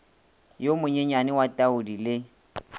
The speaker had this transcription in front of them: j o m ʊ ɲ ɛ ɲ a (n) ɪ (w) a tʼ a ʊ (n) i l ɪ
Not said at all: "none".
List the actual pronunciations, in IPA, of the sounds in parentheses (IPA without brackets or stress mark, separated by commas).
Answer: n, w, d